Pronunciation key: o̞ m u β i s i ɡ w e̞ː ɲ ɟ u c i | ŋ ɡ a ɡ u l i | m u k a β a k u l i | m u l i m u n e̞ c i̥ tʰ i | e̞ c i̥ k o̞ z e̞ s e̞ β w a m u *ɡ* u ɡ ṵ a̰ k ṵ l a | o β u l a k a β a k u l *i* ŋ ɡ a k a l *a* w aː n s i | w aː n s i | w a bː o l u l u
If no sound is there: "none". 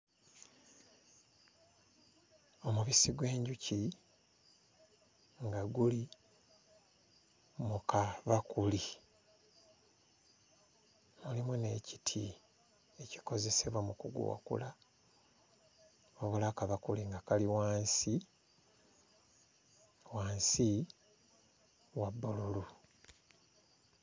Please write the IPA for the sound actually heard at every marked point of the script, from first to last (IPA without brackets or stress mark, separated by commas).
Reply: k, i, i